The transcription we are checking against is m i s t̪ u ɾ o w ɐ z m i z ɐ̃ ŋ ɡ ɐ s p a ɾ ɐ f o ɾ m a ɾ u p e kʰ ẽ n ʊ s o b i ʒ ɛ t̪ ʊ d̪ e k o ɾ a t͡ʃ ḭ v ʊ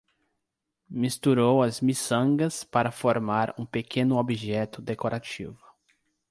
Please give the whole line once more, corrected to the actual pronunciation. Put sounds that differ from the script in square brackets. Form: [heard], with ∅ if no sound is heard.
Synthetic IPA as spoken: m i s t̪ u ɾ o w ɐ z m i [s] ɐ̃ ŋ ɡ ɐ s p a ɾ ɐ f o ɾ m a ɾ [ũ] p e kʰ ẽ n ʊ [∅] o b i ʒ ɛ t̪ ʊ d̪ e k o ɾ a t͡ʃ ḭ v ʊ